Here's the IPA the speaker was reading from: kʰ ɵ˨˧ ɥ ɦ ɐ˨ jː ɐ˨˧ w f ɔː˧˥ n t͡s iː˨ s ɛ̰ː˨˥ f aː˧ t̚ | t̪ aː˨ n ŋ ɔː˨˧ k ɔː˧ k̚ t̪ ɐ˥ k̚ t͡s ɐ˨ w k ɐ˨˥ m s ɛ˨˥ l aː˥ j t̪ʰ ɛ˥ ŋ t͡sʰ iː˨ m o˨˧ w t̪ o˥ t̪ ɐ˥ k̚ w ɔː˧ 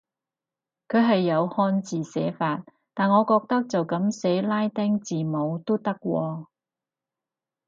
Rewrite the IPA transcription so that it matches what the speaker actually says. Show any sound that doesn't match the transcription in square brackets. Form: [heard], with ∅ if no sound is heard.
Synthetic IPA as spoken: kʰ ɵ˨˧ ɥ ɦ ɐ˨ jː ɐ˨˧ w [h] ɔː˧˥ n t͡s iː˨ s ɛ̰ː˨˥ f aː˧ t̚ | t̪ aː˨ n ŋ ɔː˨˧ k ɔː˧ k̚ t̪ ɐ˥ k̚ t͡s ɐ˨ w k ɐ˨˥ m s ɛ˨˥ l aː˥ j [t̪] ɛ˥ ŋ [t͡s] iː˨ m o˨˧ w t̪ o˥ t̪ ɐ˥ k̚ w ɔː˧